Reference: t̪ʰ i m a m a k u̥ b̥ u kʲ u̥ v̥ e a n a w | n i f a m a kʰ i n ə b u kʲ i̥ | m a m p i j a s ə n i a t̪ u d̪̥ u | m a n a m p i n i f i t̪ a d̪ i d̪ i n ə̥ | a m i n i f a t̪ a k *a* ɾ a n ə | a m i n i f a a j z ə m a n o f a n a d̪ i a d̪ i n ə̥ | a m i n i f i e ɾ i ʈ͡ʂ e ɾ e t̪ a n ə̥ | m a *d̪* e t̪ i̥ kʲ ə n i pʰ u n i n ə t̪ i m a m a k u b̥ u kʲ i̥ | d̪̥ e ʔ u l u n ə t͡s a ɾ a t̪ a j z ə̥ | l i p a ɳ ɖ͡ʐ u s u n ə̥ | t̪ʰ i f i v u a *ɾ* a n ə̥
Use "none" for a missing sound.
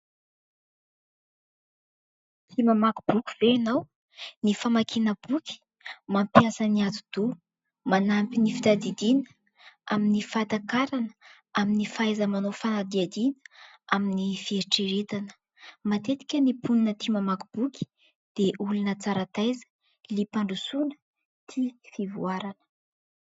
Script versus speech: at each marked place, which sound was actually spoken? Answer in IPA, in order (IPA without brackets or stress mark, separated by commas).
a, t̪, ɾ